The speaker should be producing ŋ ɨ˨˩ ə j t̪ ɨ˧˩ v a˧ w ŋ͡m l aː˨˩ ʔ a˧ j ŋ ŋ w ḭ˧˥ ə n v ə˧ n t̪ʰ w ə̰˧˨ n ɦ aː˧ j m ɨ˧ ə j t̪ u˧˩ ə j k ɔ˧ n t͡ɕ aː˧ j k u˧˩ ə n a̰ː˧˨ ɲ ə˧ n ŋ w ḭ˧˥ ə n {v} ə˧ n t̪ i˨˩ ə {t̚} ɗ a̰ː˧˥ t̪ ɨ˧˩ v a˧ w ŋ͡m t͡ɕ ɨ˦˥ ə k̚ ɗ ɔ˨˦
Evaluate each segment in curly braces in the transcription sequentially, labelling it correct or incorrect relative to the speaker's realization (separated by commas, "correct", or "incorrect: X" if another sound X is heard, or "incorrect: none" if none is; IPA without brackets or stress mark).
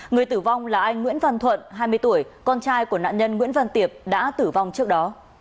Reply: correct, incorrect: p̚